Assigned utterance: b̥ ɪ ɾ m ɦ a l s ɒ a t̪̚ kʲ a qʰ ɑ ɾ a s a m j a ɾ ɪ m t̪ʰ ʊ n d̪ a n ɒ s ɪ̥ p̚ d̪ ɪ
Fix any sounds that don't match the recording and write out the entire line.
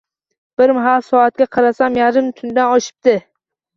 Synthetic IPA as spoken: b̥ ɪ ɾ m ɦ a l s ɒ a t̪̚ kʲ a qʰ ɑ ɾ a s a m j a ɾ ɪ m t̪ʰ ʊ n d̪ a n ɒ ʃ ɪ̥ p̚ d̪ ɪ